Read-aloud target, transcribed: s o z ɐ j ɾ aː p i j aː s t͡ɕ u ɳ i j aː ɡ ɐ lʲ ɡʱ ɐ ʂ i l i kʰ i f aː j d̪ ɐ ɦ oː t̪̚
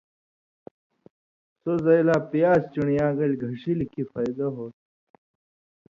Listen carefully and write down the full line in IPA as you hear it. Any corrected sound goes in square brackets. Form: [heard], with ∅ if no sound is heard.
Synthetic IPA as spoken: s o z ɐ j [l] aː p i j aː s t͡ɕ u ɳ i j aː ɡ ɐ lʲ ɡʱ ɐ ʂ i l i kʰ i f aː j d̪ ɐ ɦ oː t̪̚